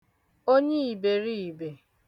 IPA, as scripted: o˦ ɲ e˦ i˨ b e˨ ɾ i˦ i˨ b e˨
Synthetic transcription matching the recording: o˦ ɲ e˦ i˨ b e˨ ɾ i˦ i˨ b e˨